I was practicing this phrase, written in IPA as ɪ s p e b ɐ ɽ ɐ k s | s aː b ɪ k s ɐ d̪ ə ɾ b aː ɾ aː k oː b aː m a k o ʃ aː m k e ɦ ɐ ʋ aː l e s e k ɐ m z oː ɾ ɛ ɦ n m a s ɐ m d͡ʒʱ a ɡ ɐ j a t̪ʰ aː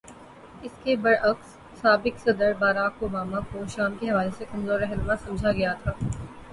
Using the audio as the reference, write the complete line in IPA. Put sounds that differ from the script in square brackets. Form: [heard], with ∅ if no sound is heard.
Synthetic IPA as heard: ɪ s [k] e b ɐ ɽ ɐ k s | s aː b ɪ k s ɐ d̪ ə ɾ b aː ɾ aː k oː b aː m a k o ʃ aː m k e ɦ ɐ ʋ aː l e s e k ɐ m z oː ɾ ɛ ɦ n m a s ɐ m d͡ʒʱ a ɡ ɐ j a t̪ʰ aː